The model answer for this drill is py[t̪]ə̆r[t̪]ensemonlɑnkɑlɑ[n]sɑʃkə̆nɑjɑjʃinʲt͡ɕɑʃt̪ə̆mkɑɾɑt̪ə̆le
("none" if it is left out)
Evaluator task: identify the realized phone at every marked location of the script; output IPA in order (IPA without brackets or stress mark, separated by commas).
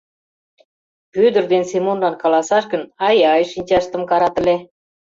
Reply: d̪, d̪, none